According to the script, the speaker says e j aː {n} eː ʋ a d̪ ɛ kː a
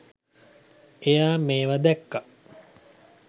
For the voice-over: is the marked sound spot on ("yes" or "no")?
no